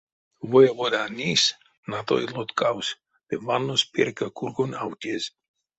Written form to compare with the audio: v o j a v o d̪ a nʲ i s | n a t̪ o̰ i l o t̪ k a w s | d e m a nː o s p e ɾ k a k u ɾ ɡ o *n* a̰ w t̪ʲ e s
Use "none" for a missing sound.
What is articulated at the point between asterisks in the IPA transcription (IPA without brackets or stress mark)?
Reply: n